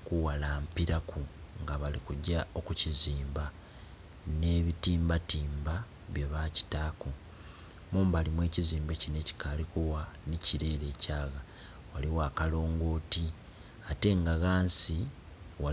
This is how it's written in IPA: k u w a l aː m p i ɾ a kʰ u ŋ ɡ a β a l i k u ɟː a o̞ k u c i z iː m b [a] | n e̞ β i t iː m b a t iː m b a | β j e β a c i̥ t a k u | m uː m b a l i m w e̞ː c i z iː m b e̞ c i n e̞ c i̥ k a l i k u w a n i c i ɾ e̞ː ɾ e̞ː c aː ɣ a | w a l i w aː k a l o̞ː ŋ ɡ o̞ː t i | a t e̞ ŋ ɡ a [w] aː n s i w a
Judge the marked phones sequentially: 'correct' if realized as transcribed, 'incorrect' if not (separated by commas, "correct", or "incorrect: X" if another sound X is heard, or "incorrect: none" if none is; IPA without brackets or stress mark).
correct, incorrect: ɣ